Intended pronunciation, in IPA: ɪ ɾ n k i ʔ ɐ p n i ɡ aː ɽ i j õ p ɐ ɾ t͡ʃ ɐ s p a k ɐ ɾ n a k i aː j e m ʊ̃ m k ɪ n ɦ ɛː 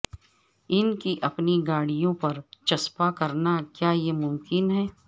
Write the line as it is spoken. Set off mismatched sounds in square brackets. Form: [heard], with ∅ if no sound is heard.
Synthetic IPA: ɪ [∅] n k i ʔ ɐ p n i ɡ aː ɽ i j õ p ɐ ɾ t͡ʃ ɐ s p a k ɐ ɾ n a k [j] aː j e m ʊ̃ m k ɪ n ɦ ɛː